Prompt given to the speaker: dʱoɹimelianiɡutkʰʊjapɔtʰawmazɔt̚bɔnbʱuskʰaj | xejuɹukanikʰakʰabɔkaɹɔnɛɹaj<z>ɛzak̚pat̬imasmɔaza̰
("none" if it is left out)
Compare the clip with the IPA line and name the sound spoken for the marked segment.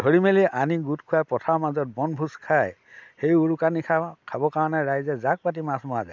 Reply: z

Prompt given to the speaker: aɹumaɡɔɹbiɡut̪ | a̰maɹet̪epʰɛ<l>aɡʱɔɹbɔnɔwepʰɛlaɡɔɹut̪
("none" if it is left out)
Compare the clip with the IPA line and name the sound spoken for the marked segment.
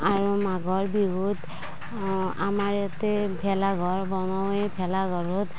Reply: l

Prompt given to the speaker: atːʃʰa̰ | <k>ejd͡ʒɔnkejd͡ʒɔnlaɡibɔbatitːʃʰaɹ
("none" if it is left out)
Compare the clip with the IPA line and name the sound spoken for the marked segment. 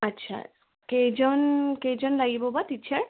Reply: k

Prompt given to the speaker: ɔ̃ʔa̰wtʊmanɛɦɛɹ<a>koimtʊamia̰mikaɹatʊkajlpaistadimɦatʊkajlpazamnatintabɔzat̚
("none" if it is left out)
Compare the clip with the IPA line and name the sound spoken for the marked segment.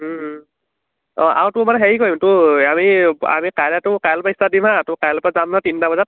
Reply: i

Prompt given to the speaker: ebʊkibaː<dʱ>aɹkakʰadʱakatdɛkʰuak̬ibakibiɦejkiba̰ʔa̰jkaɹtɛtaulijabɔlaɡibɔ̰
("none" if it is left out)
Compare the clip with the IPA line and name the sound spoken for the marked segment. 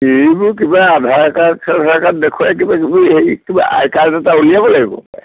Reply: dʱ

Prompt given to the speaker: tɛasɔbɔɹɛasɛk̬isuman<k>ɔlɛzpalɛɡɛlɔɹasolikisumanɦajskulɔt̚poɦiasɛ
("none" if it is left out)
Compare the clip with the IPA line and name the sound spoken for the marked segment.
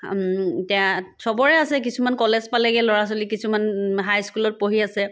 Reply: k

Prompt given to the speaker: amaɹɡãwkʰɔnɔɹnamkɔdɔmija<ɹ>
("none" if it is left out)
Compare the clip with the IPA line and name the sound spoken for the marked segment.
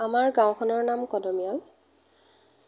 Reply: l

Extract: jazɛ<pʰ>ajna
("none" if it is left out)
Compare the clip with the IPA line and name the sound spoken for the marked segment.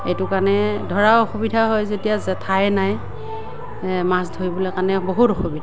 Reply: tʰ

